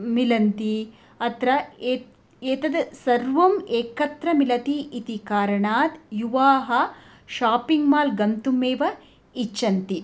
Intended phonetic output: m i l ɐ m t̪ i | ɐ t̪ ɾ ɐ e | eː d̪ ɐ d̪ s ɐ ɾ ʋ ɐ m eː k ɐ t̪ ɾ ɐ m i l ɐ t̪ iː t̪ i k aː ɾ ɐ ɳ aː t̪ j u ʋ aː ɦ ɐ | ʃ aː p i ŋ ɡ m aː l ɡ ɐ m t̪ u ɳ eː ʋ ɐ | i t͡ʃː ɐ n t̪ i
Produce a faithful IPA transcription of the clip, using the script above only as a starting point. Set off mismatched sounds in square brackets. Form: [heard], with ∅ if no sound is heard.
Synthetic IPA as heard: m i l ɐ [n] t̪ i | ɐ t̪ ɾ ɐ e | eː [t̪] ɐ d̪ s ɐ ɾ ʋ ɐ m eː k ɐ t̪ ɾ ɐ m i l ɐ t̪ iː t̪ i k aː ɾ ɐ ɳ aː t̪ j u ʋ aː ɦ ɐ | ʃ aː p i ŋ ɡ m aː l ɡ ɐ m t̪ u [m] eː ʋ ɐ | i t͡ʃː ɐ n t̪ i